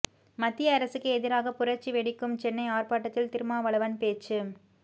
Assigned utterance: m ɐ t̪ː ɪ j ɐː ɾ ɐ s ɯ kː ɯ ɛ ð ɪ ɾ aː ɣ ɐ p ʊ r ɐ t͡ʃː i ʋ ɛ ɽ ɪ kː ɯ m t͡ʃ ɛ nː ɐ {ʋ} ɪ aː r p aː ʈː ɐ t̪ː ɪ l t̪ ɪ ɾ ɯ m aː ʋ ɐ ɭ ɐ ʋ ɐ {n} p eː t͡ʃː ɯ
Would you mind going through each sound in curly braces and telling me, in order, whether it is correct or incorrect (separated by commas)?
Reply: incorrect, correct